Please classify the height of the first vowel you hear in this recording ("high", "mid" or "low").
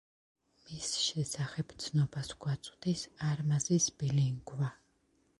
high